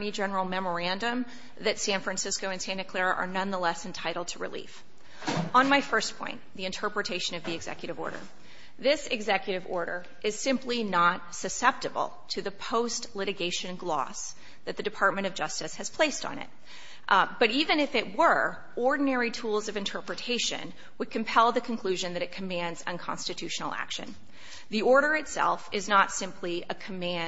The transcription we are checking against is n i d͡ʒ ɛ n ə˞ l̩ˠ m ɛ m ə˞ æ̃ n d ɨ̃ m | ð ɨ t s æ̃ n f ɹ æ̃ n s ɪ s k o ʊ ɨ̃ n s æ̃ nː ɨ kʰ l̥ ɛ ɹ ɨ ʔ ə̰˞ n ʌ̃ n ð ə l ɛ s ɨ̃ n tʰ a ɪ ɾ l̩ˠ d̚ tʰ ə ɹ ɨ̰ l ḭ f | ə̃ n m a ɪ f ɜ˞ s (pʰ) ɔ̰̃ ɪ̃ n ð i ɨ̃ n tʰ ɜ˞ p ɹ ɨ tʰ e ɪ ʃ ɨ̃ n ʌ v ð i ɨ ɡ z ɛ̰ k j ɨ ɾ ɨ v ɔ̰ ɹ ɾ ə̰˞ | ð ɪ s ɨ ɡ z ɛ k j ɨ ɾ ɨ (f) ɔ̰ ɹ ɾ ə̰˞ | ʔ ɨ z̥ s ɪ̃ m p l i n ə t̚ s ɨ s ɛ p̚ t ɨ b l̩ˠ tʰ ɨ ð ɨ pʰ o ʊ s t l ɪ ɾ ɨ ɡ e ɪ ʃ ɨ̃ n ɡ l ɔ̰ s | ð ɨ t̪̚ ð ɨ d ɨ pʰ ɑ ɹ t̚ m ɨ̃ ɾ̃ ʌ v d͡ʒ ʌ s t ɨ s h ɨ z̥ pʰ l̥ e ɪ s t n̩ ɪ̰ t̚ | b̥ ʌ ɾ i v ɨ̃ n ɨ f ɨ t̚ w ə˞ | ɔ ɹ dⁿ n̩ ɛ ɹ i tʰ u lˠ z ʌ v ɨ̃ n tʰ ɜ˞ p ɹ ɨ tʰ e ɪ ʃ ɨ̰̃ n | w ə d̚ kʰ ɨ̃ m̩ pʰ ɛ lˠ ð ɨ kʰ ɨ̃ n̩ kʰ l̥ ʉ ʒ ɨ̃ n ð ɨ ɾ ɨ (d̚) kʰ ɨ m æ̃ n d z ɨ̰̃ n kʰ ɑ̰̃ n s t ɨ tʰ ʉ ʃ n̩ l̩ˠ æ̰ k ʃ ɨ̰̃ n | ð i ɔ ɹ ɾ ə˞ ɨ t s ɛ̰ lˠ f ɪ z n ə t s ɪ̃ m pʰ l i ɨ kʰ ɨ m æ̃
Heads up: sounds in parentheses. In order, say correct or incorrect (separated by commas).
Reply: correct, incorrect, incorrect